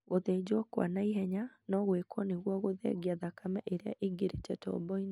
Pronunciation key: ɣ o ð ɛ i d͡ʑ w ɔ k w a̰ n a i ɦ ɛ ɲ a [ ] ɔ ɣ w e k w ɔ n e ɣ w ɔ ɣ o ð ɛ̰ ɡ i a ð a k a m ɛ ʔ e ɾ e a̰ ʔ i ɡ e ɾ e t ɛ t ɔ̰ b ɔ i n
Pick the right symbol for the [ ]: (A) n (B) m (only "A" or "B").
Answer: A